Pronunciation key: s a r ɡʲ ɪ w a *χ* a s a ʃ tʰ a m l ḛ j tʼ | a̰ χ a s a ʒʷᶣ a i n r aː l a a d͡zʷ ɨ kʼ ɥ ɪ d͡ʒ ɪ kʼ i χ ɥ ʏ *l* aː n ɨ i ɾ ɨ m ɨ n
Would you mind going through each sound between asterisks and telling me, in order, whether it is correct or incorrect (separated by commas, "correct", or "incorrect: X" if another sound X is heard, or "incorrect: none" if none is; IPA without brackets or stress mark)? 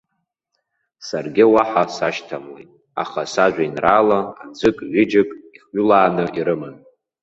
incorrect: ħ, correct